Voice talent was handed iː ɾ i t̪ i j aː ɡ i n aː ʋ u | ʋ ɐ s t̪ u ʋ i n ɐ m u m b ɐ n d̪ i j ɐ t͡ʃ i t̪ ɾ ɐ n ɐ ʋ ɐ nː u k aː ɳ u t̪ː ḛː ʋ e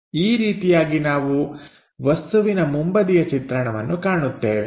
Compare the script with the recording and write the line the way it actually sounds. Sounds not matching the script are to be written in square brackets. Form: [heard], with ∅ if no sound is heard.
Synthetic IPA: iː ɾ [iː] t̪ i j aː ɡ i n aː ʋ u | ʋ ɐ s t̪ u ʋ i n ɐ m u m b ɐ [∅] d̪ i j ɐ t͡ʃ i t̪ ɾ ɐ [ɳ] ɐ ʋ ɐ nː u k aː ɳ u t̪ː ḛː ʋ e